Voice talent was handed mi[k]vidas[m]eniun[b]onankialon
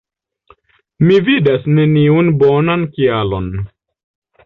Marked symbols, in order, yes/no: no, no, yes

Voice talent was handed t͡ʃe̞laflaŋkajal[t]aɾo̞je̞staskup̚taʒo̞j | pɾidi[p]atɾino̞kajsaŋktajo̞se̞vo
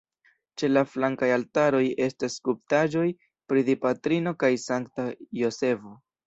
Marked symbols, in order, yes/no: yes, yes

